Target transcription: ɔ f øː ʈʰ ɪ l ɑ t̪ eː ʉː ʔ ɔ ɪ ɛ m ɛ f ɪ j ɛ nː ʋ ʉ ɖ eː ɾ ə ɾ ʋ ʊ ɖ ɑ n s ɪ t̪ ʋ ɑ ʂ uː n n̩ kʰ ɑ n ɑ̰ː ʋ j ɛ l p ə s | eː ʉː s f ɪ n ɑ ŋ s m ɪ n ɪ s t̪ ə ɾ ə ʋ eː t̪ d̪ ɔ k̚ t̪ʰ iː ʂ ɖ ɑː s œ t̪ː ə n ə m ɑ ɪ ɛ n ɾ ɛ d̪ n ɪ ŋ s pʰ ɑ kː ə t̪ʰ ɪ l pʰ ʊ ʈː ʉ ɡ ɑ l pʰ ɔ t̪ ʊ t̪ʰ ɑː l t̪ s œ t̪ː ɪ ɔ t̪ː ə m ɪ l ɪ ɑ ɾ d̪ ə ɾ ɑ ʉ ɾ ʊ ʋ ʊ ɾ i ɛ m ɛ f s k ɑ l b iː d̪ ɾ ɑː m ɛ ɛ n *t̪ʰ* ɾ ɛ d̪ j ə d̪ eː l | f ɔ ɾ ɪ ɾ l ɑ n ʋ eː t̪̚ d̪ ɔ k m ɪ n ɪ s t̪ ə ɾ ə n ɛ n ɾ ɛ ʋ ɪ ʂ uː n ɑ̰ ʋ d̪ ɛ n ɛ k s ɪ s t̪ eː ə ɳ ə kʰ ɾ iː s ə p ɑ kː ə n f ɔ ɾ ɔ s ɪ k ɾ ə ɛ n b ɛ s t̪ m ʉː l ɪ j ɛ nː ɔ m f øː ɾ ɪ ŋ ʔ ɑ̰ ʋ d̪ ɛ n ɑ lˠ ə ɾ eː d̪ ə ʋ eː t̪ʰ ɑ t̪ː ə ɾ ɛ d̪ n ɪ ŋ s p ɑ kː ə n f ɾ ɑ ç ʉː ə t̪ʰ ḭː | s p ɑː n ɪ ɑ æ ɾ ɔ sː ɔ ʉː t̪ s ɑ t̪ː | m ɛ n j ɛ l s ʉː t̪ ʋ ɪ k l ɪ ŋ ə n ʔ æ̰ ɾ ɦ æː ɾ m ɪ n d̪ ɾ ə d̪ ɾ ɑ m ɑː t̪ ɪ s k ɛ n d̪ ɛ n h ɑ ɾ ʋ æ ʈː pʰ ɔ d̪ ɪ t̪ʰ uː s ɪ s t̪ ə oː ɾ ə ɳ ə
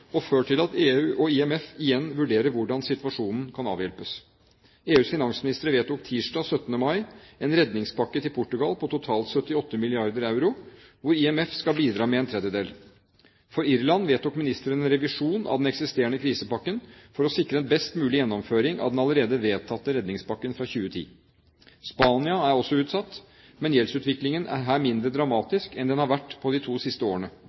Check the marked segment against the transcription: correct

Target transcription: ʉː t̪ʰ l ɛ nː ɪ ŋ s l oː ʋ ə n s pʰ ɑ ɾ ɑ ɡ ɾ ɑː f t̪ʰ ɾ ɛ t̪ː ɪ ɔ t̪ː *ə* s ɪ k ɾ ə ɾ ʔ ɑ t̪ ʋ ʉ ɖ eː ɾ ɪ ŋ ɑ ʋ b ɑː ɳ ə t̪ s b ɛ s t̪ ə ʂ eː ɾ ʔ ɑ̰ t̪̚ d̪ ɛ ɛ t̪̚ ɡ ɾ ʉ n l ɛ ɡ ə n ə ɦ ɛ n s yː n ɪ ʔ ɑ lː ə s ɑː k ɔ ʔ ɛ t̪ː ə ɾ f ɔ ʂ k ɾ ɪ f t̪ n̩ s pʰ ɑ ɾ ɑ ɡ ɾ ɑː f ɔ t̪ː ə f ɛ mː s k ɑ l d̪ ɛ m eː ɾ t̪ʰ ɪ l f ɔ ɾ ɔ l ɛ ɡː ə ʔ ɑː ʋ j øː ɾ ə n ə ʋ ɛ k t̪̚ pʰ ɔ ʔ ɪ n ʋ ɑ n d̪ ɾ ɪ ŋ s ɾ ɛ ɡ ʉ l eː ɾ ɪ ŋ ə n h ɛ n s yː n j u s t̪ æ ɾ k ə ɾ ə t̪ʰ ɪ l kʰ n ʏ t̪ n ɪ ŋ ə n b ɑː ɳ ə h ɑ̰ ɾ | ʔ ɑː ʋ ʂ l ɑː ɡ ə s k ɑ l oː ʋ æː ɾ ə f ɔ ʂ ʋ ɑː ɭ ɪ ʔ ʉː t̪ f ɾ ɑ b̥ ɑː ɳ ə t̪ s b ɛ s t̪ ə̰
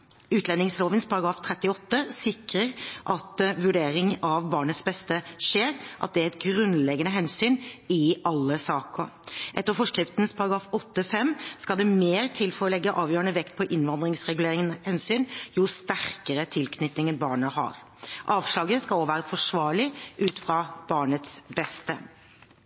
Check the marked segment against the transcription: correct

